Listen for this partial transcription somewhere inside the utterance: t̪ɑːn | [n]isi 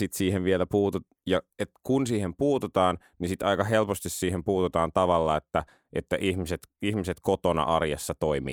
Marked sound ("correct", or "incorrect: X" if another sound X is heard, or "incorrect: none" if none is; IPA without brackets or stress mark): correct